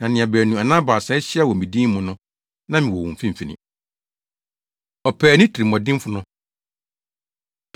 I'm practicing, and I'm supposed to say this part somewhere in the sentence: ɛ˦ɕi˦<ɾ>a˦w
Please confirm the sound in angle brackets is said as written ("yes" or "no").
no